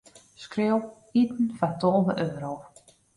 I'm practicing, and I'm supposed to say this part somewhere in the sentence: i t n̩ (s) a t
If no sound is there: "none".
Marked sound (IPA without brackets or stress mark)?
f